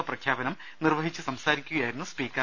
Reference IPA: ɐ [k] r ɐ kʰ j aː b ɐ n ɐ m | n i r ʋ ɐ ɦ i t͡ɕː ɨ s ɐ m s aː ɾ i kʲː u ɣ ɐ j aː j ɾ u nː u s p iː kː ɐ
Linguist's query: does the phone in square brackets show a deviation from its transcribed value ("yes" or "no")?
yes